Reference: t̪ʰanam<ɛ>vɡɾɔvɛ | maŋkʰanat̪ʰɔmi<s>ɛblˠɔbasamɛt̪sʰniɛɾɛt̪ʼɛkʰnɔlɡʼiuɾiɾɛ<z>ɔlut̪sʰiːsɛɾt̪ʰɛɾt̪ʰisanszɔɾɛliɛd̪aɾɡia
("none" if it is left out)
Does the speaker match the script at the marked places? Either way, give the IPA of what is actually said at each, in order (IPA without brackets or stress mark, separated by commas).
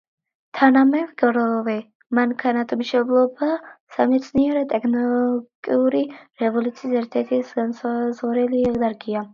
ɛ, ʃ, v